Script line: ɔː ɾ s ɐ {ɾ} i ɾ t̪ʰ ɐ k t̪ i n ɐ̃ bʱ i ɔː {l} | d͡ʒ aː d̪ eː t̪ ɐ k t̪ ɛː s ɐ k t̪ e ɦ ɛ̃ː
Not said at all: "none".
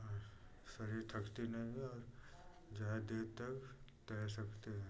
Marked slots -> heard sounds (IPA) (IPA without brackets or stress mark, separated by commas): ɾ, ɾ